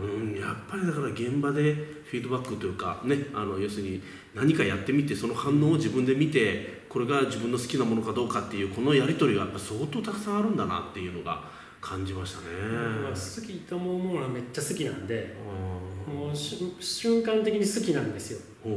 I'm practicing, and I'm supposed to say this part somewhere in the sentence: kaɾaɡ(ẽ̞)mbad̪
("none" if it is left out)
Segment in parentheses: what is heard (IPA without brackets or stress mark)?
ẽ̞